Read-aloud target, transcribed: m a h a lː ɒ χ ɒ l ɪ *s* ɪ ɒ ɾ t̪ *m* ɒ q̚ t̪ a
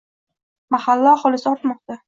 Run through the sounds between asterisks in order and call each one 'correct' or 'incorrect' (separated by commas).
correct, correct